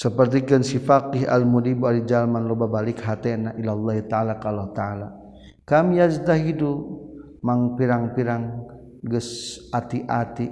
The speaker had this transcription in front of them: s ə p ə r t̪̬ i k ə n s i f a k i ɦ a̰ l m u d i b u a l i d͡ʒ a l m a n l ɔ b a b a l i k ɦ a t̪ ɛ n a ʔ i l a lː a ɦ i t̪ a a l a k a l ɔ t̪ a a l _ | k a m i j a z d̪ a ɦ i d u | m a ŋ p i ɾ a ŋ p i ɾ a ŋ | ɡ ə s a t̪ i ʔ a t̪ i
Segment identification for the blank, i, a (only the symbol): a